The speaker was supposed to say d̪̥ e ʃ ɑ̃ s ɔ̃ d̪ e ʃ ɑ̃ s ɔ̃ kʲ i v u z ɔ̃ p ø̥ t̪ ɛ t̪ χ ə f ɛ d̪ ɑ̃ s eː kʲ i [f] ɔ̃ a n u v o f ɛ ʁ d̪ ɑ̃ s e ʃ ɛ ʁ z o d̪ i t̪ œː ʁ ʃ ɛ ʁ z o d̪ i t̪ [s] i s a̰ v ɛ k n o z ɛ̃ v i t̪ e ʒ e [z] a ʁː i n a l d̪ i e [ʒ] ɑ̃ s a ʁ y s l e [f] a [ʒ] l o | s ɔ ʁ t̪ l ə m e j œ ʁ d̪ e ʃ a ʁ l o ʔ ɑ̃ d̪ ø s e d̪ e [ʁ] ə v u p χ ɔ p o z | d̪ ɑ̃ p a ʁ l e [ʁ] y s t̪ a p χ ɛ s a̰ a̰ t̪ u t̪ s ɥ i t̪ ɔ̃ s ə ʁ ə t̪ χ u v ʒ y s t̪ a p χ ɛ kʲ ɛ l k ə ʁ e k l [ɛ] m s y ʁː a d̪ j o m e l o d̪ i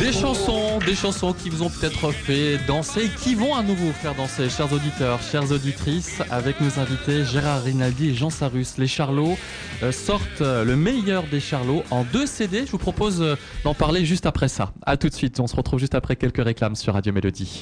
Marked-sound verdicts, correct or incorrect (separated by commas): incorrect, incorrect, incorrect, correct, incorrect, incorrect, incorrect, incorrect, incorrect